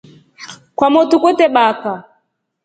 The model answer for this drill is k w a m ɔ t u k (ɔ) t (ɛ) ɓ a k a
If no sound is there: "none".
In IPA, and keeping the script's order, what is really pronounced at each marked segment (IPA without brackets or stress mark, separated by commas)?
ɔ, ɛ